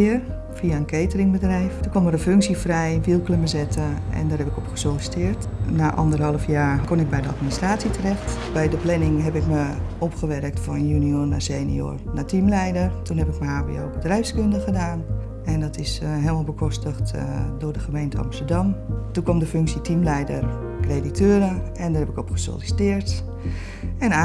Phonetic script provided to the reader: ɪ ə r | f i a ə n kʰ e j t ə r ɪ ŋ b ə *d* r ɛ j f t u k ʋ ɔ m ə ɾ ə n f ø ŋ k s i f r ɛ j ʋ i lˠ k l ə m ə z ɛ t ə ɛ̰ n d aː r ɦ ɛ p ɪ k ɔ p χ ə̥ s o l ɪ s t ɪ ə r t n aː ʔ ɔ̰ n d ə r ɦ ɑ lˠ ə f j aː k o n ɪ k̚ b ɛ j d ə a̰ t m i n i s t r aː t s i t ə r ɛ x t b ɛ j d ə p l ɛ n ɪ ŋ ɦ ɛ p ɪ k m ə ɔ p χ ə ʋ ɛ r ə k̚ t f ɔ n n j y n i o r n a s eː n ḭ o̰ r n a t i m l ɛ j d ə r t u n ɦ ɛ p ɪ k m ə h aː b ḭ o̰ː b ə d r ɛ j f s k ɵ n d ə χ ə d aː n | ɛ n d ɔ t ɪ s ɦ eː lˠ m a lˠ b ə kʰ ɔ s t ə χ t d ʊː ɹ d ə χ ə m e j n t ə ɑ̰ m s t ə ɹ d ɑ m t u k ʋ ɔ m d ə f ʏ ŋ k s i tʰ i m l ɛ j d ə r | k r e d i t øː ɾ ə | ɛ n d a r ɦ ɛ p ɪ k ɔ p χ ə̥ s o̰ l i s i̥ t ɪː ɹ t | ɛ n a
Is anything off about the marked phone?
no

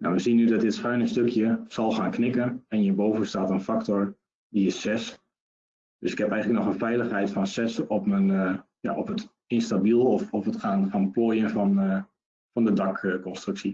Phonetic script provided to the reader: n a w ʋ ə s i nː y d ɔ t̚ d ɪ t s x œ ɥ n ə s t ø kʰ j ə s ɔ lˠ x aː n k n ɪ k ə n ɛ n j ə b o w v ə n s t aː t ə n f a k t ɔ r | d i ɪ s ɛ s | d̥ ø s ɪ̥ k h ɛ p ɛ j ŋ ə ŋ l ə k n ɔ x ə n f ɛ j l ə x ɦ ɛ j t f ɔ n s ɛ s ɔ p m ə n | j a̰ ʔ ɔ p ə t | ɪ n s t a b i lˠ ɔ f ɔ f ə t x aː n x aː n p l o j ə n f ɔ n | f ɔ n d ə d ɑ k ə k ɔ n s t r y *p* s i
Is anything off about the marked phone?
yes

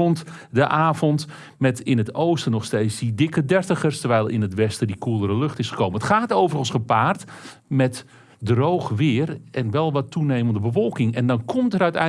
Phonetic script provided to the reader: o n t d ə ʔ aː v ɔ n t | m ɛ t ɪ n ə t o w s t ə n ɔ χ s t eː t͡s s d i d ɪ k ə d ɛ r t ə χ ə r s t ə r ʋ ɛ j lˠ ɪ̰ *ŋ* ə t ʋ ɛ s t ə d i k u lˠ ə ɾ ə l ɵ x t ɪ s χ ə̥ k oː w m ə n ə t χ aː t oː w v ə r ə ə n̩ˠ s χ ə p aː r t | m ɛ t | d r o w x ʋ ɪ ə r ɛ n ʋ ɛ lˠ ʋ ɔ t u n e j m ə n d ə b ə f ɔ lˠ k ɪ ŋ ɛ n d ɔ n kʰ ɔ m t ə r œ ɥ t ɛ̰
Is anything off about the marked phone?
yes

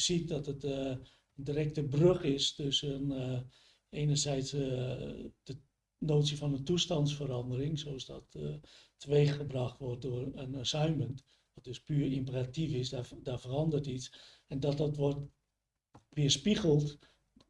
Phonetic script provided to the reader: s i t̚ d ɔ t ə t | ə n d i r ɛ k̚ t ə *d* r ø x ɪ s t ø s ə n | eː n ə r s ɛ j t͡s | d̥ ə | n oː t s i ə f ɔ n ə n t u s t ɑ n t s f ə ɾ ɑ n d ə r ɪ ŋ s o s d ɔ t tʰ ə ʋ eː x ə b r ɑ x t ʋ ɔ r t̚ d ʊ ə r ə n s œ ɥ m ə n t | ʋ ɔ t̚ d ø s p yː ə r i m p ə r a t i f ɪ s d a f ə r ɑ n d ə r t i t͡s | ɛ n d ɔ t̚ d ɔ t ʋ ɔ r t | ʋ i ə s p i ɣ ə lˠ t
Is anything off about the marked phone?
yes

